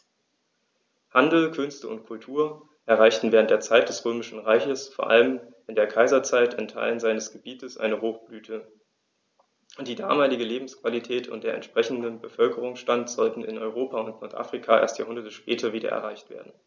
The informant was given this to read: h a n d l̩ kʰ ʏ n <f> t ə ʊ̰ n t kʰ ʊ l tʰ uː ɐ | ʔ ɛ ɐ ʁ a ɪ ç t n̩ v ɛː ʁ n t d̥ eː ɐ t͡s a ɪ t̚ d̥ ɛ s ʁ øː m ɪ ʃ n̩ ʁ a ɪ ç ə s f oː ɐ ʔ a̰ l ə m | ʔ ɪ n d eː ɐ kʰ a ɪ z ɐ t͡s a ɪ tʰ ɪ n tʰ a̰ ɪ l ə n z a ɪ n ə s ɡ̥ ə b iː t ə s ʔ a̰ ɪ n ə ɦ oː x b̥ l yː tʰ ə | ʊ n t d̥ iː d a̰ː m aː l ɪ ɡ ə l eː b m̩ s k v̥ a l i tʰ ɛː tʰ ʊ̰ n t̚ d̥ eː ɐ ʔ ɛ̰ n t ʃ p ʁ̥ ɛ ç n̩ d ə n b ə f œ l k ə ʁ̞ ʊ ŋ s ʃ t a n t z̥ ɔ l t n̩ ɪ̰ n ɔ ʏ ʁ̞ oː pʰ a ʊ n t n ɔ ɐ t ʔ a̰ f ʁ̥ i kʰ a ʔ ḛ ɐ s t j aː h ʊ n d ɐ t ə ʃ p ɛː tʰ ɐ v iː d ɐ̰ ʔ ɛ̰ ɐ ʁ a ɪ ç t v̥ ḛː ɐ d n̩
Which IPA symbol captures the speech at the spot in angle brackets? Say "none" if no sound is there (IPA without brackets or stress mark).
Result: s